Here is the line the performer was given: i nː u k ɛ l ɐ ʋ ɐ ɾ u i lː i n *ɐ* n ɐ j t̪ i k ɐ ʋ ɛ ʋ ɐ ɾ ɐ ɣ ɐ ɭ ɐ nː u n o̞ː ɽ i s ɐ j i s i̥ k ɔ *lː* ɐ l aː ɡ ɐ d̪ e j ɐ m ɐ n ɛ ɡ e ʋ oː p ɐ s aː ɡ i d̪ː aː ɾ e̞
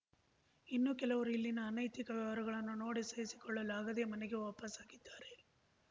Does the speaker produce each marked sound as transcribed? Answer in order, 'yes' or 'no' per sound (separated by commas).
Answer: no, no